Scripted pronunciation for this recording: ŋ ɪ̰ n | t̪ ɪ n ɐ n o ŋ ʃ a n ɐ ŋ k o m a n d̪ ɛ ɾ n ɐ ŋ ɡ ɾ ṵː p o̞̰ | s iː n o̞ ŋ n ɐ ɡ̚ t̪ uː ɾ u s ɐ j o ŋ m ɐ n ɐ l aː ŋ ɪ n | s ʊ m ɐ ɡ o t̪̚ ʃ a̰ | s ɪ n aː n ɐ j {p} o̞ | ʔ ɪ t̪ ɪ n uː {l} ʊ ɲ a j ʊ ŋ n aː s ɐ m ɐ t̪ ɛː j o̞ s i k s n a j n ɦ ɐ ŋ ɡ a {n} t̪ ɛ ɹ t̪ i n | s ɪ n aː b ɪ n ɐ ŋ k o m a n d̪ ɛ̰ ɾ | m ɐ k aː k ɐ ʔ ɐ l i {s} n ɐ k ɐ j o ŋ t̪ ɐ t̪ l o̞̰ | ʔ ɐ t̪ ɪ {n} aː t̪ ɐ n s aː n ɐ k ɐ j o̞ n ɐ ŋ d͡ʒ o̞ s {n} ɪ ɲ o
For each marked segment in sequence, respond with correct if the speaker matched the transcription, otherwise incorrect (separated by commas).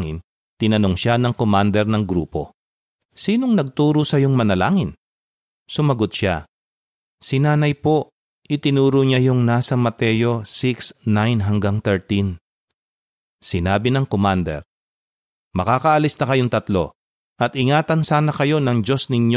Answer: correct, incorrect, incorrect, correct, incorrect, correct